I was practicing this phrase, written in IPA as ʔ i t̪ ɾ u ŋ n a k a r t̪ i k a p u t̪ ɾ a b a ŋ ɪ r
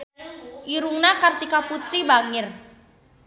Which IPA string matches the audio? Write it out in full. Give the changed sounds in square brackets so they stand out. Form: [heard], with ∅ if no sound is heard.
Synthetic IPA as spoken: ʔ i [∅] ɾ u ŋ n a k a r t̪ i k a p u t̪ ɾ [i] b a ŋ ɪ r

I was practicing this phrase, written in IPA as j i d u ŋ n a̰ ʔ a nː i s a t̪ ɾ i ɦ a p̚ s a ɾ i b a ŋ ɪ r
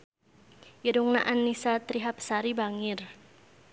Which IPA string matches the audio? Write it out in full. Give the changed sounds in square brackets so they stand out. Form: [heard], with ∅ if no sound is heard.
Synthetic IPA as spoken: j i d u ŋ n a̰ ʔ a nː i s a t̪ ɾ i ɦ a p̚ s a ɾ i b a ŋ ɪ r

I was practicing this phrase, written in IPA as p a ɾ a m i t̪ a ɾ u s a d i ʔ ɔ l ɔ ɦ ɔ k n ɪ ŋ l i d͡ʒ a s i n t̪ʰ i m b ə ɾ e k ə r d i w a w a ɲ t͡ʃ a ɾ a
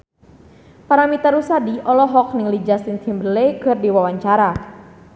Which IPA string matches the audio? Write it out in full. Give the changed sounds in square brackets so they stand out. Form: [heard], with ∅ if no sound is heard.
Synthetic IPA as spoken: p a ɾ a m i t̪ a ɾ u s a d i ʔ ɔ l ɔ ɦ ɔ k n ɪ ŋ l i d͡ʒ a s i n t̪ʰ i m b ə [l] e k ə r d i w a w a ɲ t͡ʃ a ɾ a

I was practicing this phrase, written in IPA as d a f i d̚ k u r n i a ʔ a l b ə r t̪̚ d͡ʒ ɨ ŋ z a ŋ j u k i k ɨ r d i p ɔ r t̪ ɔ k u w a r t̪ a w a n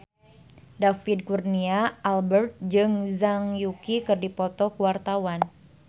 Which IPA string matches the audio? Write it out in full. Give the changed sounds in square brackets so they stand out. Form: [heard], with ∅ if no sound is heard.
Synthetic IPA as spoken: d a f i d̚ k u r n i a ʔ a l b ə r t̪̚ d͡ʒ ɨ ŋ z a ŋ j u k i k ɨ r d i p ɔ [∅] t̪ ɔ k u w a r t̪ a w a n

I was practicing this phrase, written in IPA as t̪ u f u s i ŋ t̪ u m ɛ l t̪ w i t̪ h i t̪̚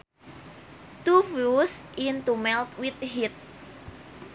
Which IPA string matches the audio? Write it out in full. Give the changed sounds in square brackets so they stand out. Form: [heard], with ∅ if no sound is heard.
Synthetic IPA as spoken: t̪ u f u s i [n] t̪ u m ɛ l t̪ w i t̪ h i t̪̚

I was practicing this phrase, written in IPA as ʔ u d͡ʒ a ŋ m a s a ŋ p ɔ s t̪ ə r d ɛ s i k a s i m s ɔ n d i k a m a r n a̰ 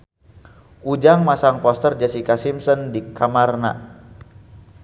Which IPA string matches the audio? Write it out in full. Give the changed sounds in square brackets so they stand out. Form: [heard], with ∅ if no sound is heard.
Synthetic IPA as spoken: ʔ u d͡ʒ a ŋ m a s a ŋ p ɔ s t̪ ə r [d͡ʒ] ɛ s i k a s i m s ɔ n d i k a m a r n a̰

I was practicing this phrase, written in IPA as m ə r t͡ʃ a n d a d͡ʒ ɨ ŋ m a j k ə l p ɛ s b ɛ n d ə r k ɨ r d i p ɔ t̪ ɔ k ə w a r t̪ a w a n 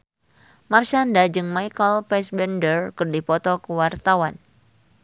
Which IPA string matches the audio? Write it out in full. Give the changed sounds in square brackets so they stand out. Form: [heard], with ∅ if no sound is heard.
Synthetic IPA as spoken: m [a] r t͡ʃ a n d a d͡ʒ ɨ ŋ m a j k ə l p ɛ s b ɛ n d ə r k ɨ r d i p ɔ t̪ ɔ k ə w a r t̪ a w a n

